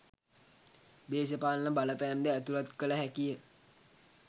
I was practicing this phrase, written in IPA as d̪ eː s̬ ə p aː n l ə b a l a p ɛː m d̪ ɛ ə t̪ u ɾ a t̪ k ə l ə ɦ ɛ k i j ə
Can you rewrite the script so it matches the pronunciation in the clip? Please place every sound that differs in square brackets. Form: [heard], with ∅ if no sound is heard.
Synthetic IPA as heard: d̪ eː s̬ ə p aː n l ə b a l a p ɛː m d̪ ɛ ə t̪ u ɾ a t̪ k ə l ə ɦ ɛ k i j ə